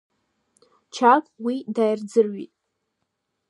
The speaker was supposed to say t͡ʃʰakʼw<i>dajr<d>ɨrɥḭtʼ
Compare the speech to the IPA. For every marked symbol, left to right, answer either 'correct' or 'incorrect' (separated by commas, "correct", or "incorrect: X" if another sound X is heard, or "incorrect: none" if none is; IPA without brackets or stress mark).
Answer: correct, incorrect: d͡z